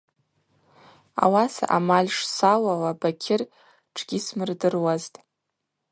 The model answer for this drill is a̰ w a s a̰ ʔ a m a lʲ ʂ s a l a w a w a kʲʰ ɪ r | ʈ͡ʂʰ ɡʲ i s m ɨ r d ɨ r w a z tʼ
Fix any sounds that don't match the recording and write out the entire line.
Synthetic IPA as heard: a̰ w a s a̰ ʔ a m a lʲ ʂ s a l a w a b a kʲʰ ɪ r | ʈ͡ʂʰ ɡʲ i s m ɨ r d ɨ r w a z tʼ